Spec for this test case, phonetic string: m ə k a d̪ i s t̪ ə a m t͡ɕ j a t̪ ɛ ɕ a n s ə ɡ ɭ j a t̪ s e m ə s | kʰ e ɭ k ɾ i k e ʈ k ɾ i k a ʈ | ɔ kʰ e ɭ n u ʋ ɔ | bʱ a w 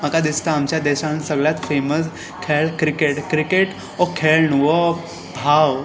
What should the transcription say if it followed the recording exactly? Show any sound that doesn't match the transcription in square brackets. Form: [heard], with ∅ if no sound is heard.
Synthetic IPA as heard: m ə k a d̪ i s t̪ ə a m t͡ɕ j a [d̪] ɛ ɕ a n s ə ɡ ɭ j a t̪ [f] e m ə s | kʰ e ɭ k ɾ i k e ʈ k ɾ i k [e] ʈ | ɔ kʰ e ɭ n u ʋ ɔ | bʱ a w